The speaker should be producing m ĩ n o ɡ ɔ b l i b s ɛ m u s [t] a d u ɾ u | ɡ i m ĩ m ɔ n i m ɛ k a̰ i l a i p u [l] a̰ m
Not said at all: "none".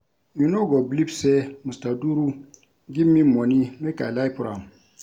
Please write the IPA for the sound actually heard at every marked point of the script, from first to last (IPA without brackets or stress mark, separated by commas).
t, ɾ